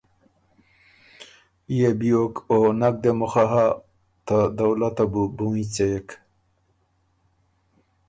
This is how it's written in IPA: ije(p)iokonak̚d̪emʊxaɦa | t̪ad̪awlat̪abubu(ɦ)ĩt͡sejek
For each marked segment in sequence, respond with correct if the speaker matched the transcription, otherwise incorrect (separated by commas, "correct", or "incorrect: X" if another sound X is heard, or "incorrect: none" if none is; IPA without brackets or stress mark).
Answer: incorrect: b, incorrect: none